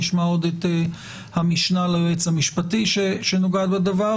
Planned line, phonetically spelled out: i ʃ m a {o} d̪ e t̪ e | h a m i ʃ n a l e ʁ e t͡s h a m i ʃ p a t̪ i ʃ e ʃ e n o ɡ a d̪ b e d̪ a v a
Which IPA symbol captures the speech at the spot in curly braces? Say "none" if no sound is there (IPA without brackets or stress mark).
o